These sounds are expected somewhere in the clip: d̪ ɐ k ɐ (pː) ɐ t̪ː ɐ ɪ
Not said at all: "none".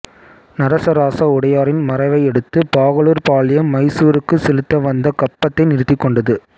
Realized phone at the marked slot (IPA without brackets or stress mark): pː